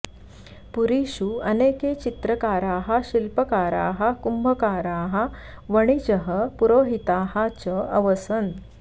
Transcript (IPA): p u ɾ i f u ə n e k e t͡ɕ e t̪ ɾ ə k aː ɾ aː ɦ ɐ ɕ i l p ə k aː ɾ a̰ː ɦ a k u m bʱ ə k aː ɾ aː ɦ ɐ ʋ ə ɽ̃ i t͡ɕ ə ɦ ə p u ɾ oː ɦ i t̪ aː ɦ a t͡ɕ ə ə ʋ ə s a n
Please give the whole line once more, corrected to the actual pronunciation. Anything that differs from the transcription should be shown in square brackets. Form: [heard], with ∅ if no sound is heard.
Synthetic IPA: p u ɾ i [ɕ] u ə n e k e t͡ɕ [i] t̪ ɾ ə k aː ɾ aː ɦ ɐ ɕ i l p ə k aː ɾ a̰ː ɦ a k u m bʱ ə k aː ɾ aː ɦ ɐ ʋ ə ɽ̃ i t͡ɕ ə ɦ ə p u ɾ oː ɦ i t̪ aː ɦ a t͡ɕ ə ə ʋ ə s [ə] n